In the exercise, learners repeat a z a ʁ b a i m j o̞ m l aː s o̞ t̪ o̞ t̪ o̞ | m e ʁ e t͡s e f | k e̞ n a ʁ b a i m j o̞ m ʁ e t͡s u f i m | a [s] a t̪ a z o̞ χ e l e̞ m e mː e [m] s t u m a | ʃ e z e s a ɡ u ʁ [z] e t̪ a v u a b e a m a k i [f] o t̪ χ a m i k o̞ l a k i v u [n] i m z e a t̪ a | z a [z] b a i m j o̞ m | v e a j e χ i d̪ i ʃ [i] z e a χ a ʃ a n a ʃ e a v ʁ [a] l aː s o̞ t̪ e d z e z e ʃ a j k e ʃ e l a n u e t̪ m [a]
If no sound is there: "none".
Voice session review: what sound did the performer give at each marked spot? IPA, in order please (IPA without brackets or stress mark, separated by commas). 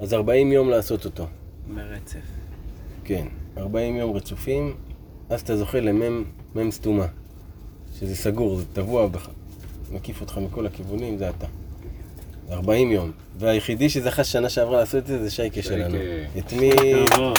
z, m, z, f, n, ʁ, e, a, i